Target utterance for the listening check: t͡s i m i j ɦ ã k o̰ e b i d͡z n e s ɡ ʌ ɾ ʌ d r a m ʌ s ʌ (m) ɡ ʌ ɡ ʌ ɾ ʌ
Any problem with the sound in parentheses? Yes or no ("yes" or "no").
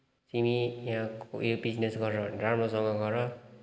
yes